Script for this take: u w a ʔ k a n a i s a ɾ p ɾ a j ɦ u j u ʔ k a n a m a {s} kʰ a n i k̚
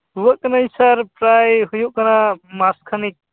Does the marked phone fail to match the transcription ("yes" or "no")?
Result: no